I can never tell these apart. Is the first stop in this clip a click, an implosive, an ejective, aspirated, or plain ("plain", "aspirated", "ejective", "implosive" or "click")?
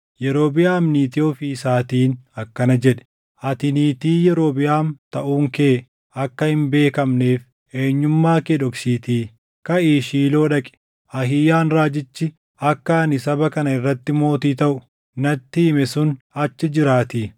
plain